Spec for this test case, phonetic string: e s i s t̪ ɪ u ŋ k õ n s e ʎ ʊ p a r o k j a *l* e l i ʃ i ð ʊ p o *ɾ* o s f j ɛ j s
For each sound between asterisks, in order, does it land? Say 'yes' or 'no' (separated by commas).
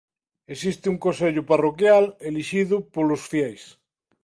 yes, no